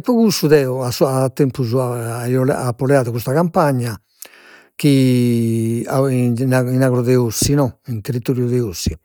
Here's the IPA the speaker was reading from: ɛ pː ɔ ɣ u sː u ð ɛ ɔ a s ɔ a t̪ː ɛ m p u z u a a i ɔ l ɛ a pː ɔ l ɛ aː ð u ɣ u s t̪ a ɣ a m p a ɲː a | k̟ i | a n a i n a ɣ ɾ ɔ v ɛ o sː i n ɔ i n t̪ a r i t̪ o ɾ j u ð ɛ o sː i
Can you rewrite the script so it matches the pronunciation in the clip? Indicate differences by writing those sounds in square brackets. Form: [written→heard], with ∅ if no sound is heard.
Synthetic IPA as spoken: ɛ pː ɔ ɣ u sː u ð ɛ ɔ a s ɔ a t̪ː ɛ m p u z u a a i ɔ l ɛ a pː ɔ l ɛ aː ð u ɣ u s t̪ a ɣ a m p a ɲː a | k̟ i | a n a i n a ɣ ɾ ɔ [v→ð] ɛ o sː i n ɔ i n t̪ [a→e] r i t̪ o ɾ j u ð ɛ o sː i